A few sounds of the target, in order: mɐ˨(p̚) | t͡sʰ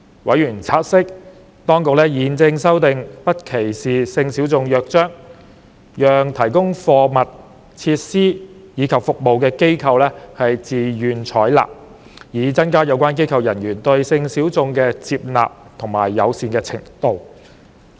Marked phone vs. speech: incorrect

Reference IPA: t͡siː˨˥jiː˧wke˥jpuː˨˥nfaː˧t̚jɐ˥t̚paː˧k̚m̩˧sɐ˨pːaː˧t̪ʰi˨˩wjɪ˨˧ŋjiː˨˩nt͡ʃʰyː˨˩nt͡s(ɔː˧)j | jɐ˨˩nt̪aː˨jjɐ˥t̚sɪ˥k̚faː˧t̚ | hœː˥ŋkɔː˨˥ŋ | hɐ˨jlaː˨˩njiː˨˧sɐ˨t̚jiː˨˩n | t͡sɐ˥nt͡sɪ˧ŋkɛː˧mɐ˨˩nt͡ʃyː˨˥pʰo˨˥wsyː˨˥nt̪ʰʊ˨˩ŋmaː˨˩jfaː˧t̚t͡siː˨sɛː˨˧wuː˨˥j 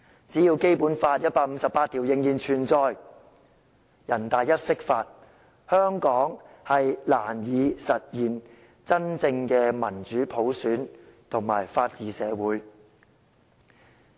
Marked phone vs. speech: correct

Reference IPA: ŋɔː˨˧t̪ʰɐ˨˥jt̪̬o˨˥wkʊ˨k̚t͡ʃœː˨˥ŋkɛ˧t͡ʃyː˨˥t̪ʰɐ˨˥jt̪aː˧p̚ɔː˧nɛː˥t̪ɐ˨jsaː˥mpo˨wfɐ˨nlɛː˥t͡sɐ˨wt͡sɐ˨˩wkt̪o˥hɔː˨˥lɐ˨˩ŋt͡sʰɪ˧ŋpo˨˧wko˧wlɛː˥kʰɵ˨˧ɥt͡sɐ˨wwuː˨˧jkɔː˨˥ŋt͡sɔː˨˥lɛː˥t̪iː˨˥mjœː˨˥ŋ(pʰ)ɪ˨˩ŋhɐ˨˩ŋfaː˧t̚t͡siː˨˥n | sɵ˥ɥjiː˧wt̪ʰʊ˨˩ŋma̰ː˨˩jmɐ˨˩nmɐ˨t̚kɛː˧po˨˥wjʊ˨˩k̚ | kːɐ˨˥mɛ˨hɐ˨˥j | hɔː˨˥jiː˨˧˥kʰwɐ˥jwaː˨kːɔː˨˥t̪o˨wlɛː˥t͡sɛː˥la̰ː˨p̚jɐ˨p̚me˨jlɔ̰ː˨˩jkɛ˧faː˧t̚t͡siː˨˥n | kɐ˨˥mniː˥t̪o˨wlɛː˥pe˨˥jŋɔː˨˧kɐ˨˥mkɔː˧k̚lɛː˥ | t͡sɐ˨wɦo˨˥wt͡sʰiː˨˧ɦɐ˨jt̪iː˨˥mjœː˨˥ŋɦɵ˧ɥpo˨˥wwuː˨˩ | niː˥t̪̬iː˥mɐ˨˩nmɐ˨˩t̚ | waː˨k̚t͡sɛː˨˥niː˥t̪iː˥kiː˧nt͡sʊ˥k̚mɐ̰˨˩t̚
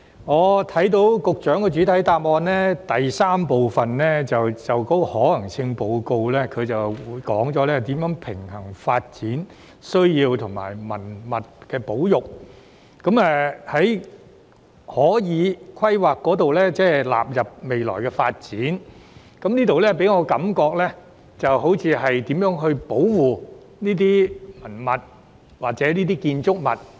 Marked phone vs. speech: correct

